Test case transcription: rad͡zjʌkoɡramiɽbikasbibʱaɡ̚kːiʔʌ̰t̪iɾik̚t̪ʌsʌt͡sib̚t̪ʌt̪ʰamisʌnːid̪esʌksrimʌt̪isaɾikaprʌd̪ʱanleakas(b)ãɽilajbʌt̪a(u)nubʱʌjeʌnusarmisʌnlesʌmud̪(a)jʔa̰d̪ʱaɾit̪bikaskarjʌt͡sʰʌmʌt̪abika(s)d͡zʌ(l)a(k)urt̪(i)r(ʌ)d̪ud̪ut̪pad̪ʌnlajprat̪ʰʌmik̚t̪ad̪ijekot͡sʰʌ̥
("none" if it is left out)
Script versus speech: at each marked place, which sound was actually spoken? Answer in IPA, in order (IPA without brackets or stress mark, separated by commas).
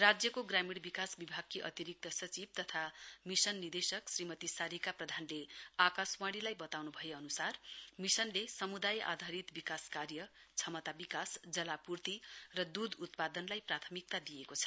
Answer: w, w, a, s, l, p, i, ʌ